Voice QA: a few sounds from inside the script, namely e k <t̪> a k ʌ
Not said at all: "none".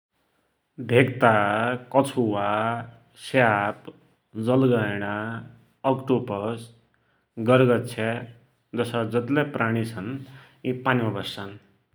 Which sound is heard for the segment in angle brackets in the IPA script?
t̪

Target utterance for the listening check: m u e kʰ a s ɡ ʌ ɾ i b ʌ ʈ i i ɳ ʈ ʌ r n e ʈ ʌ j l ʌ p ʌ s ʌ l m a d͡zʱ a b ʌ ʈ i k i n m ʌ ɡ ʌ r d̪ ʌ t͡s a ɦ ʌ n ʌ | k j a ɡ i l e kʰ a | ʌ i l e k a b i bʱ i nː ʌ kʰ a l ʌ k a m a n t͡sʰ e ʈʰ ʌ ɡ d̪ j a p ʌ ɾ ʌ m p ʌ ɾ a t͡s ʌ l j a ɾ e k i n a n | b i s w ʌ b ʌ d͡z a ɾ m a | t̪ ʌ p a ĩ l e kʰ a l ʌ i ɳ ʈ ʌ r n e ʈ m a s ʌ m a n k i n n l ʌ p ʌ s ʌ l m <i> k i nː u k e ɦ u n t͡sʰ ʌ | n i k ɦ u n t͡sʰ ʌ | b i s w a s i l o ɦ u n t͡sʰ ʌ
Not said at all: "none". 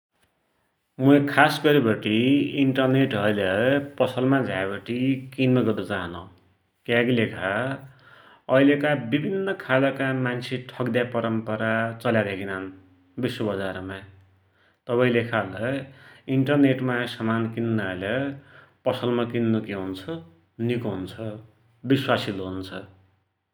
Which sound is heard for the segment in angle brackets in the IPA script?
a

